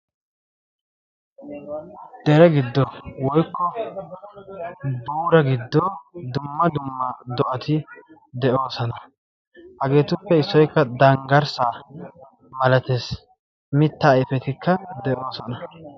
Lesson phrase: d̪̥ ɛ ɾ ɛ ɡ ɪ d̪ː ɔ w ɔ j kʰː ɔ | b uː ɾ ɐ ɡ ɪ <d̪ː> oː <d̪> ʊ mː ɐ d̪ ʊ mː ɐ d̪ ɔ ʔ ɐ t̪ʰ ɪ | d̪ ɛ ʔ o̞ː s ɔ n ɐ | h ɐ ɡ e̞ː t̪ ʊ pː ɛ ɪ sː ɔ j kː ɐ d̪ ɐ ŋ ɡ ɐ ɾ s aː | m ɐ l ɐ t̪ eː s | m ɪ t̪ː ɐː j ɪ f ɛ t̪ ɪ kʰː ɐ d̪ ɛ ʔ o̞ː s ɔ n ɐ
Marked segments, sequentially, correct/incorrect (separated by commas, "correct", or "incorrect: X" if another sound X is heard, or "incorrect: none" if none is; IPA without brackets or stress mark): correct, correct